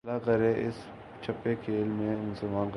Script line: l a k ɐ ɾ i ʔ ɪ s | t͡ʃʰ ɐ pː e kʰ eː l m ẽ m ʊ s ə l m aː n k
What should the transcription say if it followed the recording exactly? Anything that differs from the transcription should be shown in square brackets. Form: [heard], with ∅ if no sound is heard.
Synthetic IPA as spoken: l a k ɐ ɾ [e] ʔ ɪ s | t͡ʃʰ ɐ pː e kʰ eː l m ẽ m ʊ s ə l m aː n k